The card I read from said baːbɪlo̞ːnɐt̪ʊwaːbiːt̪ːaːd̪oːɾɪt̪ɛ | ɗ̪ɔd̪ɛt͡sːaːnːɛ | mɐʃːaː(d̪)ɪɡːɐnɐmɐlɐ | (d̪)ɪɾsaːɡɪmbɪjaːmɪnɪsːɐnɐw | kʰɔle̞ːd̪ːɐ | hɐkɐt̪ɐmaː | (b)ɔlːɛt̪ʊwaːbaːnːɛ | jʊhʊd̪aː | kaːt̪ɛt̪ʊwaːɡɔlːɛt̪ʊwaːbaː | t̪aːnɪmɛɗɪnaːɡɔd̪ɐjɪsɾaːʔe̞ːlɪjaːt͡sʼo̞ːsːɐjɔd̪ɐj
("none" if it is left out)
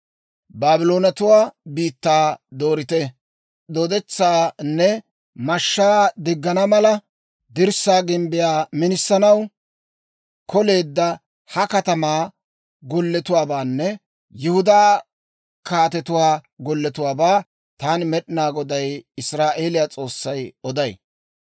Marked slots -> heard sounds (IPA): d̪, d̪, ɡ

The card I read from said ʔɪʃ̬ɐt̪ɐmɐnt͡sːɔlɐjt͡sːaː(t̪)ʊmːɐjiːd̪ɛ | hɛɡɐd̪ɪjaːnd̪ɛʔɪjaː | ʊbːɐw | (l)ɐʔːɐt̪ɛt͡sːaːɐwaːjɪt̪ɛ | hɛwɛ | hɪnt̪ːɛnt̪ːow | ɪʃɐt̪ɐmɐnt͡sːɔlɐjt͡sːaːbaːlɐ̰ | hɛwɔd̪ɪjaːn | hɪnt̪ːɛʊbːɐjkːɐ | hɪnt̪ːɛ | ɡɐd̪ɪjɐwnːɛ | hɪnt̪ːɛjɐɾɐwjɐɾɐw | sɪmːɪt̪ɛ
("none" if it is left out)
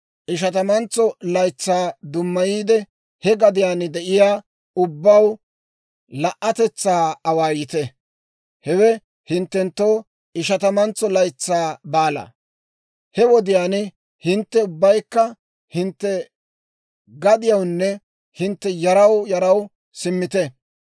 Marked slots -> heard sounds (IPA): d̪, l

